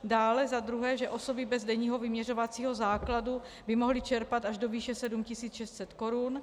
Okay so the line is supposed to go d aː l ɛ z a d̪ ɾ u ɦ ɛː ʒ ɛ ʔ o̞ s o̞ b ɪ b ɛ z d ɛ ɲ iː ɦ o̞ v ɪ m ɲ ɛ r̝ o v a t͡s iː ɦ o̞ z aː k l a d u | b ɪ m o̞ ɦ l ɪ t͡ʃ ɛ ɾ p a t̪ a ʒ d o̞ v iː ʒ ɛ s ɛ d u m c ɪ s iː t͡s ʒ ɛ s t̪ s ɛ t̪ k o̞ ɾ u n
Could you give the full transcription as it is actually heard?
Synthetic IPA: d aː l ɛ z a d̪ ɾ u ɦ ɛː ʒ ɛ ʔ o̞ s o̞ b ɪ b ɛ z d ɛ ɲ iː ɦ o̞ v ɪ m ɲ ɛ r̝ o v a t͡s iː ɦ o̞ z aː k l a d u | b ɪ m o̞ ɦ l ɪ t͡ʃ ɛ ɾ p a t̪ a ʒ d o̞ v iː ʃ ɛ s ɛ d u m c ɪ s iː t͡s ʃ ɛ s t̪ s ɛ t̪ k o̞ ɾ u n